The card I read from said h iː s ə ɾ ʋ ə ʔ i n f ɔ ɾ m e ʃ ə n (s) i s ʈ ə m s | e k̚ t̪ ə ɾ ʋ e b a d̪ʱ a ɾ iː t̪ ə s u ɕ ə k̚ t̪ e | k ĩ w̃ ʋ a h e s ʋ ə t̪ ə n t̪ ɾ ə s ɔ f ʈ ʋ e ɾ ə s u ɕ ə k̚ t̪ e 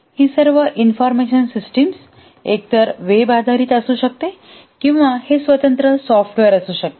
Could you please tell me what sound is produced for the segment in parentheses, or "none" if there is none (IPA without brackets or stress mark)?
s